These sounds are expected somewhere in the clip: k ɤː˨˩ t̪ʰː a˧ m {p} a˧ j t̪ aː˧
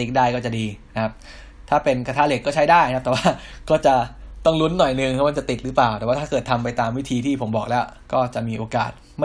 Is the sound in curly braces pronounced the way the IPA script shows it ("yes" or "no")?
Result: yes